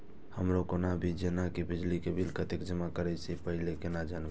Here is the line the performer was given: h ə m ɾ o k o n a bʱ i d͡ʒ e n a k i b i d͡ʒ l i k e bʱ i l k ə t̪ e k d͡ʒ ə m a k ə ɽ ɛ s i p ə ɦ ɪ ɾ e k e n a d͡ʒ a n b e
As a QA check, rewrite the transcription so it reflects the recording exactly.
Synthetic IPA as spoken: h ə m ɾ o k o n a bʱ i d͡ʒ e n a k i b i d͡ʒ l i k e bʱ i l k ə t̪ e k d͡ʒ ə m a k ə ɾ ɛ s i p ə ɦ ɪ l e k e n a d͡ʒ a n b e